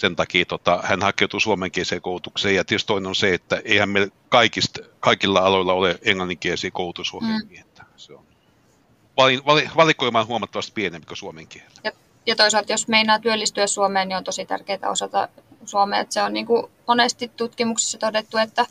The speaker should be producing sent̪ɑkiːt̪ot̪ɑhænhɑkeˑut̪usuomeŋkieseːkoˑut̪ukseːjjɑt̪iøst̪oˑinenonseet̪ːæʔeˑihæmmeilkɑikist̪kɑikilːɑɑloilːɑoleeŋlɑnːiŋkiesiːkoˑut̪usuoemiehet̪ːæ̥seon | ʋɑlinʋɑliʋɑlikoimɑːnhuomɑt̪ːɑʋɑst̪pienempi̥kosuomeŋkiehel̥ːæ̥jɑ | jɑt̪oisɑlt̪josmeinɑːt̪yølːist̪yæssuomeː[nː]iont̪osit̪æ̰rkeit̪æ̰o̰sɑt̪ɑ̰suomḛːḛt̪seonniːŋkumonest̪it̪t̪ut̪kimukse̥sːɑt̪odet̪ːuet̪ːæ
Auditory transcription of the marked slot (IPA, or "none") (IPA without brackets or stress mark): n